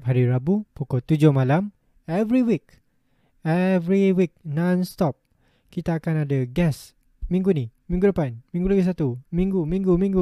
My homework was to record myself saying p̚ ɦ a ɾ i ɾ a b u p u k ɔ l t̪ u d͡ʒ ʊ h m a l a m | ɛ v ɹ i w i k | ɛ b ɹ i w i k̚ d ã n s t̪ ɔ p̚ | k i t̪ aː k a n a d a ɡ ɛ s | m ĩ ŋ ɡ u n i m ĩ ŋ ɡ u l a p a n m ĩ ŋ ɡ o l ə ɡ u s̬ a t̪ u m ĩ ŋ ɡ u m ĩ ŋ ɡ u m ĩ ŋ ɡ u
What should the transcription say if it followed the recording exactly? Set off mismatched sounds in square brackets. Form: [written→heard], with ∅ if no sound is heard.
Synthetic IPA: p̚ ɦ a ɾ i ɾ a b u p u k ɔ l t̪ u d͡ʒ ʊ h m a l a m | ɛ v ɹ i w i k | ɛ [b→v] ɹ i w i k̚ [d→n] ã n s t̪ ɔ p̚ | k i t̪ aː k a n a d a ɡ ɛ s | m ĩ ŋ ɡ u n i m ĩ ŋ ɡ u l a p a n m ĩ ŋ ɡ [o→u] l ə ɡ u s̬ a t̪ u m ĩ ŋ ɡ u m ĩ ŋ ɡ u m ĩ ŋ ɡ u